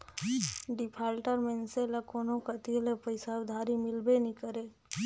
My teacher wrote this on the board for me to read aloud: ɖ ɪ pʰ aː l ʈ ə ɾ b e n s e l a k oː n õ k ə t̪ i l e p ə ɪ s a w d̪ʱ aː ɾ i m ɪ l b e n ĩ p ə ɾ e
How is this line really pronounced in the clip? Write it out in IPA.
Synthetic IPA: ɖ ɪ pʰ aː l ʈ ə ɾ m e n s e l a k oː n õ k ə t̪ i l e p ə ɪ s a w d̪ʱ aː ɾ i m ɪ l b e n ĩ k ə ɾ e